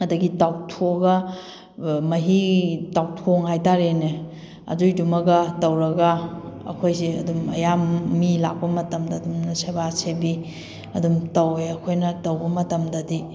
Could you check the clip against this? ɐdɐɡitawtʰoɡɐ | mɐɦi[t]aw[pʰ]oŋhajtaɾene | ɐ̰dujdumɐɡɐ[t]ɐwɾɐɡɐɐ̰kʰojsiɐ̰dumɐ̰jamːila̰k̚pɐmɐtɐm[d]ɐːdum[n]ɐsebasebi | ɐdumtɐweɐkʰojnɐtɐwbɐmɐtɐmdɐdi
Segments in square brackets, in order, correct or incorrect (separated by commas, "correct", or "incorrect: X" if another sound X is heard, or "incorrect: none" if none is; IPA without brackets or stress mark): correct, incorrect: tʰ, correct, correct, correct